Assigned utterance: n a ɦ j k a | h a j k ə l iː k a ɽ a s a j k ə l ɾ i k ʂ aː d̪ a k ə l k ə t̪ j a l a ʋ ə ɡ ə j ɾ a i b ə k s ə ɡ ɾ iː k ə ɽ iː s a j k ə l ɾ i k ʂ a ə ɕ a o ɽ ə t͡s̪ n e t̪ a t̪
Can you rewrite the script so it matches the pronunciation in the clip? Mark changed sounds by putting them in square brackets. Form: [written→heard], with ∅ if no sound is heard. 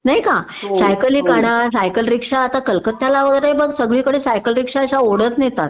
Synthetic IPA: n a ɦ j k a | [h→s] a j k ə l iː k a ɽ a s a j k ə l ɾ i k ʂ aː [d̪→t̪] a k ə l k ə t̪ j a l a ʋ ə ɡ ə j ɾ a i b ə [k→ɡ] s ə ɡ [ɾ→ɭ] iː k ə ɽ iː s a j k ə l ɾ i k ʂ a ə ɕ a o ɽ ə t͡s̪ n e t̪ a t̪